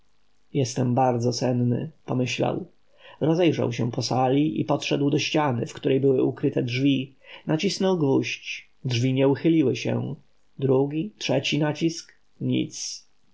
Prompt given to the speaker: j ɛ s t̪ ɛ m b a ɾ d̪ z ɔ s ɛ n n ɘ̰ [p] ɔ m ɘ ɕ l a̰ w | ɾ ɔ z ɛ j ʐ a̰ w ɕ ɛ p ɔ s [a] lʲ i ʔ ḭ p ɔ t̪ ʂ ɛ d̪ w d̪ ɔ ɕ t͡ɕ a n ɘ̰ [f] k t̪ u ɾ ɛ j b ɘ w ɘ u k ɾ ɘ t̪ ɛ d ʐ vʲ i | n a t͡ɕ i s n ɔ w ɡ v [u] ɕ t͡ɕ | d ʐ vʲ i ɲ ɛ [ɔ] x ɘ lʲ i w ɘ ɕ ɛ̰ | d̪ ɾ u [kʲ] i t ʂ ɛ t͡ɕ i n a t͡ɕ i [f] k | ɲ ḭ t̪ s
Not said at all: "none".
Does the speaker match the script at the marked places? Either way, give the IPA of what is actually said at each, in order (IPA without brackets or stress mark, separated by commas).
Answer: p, a, f, u, u, ɡʲ, s